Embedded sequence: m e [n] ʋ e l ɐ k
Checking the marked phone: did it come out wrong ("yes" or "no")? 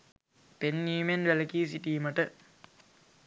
no